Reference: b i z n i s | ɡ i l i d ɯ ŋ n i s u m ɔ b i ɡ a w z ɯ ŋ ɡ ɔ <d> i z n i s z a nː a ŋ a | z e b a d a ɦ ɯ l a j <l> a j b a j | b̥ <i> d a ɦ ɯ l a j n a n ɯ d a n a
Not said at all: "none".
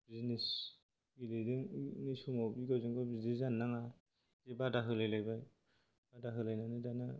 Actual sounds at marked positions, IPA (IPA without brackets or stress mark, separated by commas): b, l, a